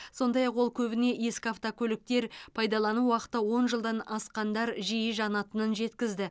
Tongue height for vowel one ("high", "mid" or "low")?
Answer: mid